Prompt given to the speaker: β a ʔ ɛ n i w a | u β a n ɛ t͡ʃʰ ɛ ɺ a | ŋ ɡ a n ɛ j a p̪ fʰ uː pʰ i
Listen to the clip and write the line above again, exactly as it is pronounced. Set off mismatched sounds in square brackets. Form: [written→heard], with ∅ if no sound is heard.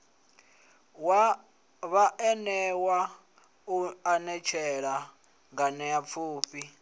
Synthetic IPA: β a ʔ ɛ n [i→ɛ] w a | u [β→∅] a n ɛ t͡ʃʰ ɛ ɺ a | ŋ ɡ a n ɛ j a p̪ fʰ uː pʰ i